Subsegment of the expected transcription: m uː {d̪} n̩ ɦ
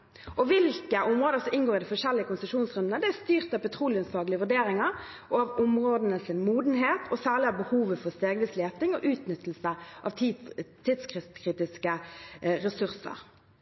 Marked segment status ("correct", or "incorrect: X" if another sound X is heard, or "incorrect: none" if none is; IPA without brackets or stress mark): correct